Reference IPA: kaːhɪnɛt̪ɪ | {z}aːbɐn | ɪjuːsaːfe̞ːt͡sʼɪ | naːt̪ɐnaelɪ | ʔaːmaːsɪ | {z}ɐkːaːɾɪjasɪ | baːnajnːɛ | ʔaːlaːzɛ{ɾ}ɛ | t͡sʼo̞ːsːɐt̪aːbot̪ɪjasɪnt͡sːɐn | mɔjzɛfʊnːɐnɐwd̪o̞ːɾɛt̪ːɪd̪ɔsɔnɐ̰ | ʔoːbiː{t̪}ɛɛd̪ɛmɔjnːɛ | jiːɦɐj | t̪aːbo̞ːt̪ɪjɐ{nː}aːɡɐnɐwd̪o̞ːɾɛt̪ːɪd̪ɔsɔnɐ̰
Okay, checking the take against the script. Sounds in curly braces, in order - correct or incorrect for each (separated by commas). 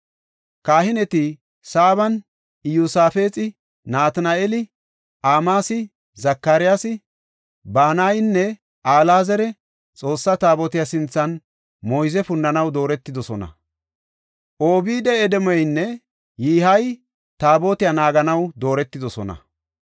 incorrect, correct, correct, incorrect, incorrect